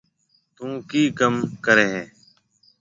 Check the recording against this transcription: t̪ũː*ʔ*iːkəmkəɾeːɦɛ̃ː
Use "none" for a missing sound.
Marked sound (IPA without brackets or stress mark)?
k